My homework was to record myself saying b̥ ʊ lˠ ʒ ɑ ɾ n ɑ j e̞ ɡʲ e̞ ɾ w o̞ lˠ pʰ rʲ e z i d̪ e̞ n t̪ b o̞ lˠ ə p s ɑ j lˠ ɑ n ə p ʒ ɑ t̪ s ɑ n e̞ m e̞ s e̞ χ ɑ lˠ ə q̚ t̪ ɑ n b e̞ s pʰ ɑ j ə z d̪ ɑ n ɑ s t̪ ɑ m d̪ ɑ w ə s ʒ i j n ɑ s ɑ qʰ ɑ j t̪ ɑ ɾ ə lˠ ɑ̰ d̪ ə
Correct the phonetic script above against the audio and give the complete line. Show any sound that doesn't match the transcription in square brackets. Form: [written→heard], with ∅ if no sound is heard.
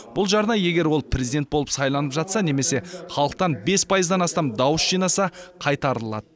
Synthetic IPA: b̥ ʊ lˠ ʒ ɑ ɾ n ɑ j e̞ ɡʲ e̞ ɾ w o̞ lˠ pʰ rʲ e z i d̪ e̞ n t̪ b o̞ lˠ ə p s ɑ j lˠ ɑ n ə p ʒ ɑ t̪ s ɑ n e̞ m e̞ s e̞ χ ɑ lˠ ə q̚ t̪ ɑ n b e̞ s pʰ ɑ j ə z d̪ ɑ n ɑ s t̪ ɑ m d̪ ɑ w ə s ʒ i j n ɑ s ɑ qʰ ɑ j t̪ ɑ ɾ ə lˠ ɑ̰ d̪ ə

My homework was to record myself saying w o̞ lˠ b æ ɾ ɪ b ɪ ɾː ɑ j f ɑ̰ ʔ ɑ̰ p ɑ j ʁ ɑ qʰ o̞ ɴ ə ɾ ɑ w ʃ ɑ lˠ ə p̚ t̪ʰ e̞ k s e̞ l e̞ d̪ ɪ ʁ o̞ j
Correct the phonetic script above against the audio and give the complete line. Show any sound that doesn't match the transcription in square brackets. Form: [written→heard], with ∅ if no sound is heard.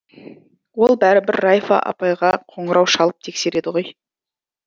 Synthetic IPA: w o̞ lˠ b æ ɾ ɪ b ɪ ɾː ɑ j f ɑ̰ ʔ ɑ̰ p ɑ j ʁ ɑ qʰ o̞ ɴ ə ɾ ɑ w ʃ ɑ lˠ ə p̚ t̪ʰ e̞ k s e̞ [l→ɾ] e̞ d̪ ɪ ʁ o̞ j

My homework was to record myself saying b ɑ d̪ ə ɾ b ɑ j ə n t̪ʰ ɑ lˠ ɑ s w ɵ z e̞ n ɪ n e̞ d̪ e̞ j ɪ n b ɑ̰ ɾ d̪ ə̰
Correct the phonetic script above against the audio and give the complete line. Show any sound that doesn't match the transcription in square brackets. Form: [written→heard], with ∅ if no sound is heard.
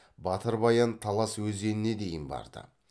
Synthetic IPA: b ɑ [d̪→t̪] ə ɾ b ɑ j [ə→ɑ] n t̪ʰ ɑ lˠ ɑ s w ɵ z e̞ n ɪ n e̞ d̪ e̞ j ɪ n b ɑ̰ ɾ d̪ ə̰

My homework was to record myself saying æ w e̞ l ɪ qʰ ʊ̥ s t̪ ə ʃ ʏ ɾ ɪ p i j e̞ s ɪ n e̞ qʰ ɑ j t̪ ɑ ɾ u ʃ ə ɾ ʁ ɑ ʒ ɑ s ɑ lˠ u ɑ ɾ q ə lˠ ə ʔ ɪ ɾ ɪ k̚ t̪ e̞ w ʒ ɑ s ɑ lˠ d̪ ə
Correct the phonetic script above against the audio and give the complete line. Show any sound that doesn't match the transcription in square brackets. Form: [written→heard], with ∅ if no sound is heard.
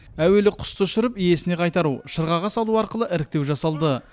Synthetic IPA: æ w e̞ l ɪ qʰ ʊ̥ s t̪ ə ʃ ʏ ɾ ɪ p i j e̞ s ɪ n e̞ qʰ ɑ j t̪ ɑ ɾ u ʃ ə ɾ ʁ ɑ [ʒ→ʁ] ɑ s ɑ lˠ u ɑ ɾ q ə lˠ ə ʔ ɪ ɾ ɪ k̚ t̪ e̞ w ʒ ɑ s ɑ lˠ d̪ ə

